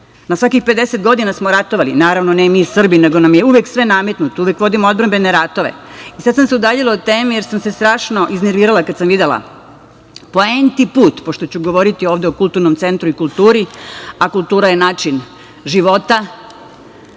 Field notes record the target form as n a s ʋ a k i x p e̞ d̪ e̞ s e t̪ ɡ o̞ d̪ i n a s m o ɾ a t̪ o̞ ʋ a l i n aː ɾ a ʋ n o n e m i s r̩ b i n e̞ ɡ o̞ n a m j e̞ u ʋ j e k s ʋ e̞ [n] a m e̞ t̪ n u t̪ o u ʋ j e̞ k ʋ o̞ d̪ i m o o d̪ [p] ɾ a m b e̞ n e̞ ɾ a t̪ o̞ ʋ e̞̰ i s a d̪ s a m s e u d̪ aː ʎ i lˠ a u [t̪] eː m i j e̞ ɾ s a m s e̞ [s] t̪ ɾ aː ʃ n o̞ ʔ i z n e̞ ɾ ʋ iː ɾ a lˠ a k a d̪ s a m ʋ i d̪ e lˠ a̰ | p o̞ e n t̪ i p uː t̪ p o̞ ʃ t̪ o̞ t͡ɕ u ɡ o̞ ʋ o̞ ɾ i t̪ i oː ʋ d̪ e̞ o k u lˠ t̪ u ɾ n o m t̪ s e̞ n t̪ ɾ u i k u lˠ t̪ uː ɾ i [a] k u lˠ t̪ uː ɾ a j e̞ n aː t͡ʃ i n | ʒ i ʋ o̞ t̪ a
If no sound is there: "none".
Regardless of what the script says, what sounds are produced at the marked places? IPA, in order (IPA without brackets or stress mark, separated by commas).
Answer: n, b, t̪, s, a